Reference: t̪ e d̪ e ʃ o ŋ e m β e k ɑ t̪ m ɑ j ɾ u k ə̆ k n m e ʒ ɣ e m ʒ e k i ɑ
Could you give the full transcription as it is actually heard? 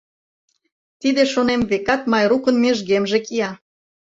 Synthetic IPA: t̪ i d̪ e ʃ o n e m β e k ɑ t̪ m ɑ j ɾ u k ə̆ n m e ʒ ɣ e m ʒ e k i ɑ